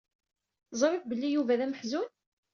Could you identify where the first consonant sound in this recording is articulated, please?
alveolar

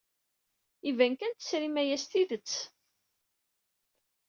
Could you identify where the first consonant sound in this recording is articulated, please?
labial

